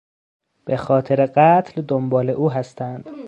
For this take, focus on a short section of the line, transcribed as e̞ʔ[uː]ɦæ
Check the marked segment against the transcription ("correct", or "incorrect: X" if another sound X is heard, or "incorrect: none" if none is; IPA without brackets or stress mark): correct